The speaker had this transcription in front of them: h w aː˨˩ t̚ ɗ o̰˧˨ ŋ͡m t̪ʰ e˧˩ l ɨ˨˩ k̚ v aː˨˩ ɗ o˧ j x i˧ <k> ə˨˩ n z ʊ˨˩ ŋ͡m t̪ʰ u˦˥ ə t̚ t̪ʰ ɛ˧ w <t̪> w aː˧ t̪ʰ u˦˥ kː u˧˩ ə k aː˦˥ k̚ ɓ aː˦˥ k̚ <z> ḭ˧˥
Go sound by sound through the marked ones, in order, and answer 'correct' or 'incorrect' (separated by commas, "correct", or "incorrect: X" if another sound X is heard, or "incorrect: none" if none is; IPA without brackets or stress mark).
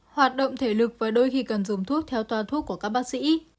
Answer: correct, correct, incorrect: s